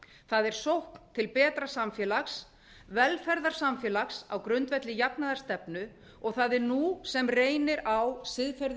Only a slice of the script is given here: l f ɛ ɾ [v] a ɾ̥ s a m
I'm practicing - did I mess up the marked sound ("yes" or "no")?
yes